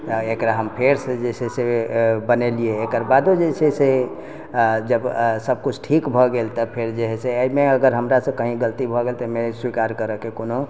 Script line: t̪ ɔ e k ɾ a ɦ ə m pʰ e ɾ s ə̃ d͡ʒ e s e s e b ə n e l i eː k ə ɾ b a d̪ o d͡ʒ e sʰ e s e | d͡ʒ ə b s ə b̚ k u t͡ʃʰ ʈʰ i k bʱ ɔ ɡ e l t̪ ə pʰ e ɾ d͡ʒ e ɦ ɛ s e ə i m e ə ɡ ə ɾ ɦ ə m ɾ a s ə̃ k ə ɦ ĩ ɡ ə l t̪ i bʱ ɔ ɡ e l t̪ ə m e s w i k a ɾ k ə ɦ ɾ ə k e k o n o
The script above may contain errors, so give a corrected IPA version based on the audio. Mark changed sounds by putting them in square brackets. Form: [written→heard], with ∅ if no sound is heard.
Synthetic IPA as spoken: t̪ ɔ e k ɾ a ɦ ə m pʰ e ɾ s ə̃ d͡ʒ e s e s e b ə n e l i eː k ə ɾ b a d̪ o d͡ʒ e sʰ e s e | d͡ʒ ə b s ə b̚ k u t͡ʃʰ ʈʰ i k bʱ ɔ ɡ e l t̪ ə pʰ e ɾ d͡ʒ e ɦ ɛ s e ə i m e ə ɡ ə ɾ ɦ ə m ɾ a s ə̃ k ə ɦ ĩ ɡ ə l t̪ i bʱ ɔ ɡ e l t̪ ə m e s w i k a ɾ k ə [ɦ→∅] ɾ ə k e k o n o